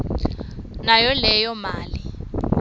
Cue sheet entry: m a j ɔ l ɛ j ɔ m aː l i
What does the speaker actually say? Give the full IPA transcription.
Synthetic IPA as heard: n a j ɔ l ɛ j ɔ m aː l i